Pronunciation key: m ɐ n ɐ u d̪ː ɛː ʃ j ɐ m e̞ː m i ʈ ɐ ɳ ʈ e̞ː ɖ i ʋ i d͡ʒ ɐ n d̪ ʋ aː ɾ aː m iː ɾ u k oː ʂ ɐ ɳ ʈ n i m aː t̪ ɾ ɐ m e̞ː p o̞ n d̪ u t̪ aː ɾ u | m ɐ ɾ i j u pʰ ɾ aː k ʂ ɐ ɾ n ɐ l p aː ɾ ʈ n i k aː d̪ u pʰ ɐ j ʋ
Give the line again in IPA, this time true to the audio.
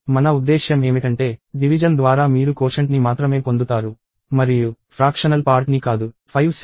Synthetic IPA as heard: m ɐ n ɐ u d̪ː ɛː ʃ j ɐ m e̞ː m i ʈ ɐ ɳ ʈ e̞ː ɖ i ʋ i d͡ʒ ɐ n d̪ ʋ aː ɾ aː m iː ɾ u k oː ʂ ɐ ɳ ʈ n i m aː t̪ ɾ ɐ m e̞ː p o̞ n d̪ u t̪ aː ɾ u | m ɐ ɾ i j u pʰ ɾ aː k ʂ ɐ n ɐ l p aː ɾ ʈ n i k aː d̪ u pʰ ɐ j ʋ